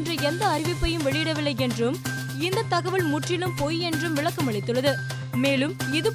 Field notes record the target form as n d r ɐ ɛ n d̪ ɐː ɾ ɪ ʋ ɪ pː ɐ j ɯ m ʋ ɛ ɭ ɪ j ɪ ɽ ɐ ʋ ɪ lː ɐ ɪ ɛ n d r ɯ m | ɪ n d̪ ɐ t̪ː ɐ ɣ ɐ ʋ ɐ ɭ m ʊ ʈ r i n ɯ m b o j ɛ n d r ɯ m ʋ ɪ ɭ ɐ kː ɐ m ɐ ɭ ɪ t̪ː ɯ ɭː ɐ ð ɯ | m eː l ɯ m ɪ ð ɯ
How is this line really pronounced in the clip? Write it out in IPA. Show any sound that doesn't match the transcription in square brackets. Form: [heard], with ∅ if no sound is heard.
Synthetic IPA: n d r ɐ ɛ n d̪ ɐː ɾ ɪ ʋ ɪ pː ɐ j ɯ m ʋ ɛ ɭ ɪ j ɪ ɽ ɐ ʋ ɪ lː ɐ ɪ ɛ n d r ɯ m | ɪ n d̪ ɐ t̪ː ɐ ɣ ɐ ʋ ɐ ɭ m ʊ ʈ r [ɪ] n ɯ m [p] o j ɛ n d r ɯ m ʋ ɪ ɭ ɐ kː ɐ m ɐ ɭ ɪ t̪ː ɯ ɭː ɐ ð ɯ | m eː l ɯ m ɪ ð ɯ